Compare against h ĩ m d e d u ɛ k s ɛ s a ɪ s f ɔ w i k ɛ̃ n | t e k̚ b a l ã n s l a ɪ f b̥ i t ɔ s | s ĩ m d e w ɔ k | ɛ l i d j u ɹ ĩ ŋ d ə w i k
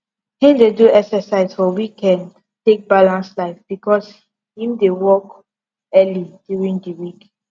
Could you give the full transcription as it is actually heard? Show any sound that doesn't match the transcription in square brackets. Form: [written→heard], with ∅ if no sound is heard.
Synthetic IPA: h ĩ m d e d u ɛ k s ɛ s a ɪ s f ɔ w i k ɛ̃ n | t e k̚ b a l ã n s l a ɪ f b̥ i [t→k] ɔ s | [s→h] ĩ m d e w ɔ k | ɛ l i d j u ɹ ĩ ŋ d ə w i k